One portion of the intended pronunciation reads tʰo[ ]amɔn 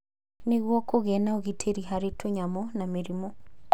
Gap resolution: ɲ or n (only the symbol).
ɲ